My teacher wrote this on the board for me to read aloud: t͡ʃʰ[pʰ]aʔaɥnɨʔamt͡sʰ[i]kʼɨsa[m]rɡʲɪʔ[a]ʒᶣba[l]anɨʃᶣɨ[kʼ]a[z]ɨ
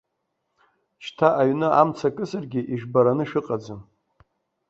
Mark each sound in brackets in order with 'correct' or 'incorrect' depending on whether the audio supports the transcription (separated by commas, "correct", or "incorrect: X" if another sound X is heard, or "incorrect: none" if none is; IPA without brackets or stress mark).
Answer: incorrect: tʰ, incorrect: a, incorrect: none, incorrect: i, incorrect: ɾ, incorrect: qʼ, incorrect: d͡z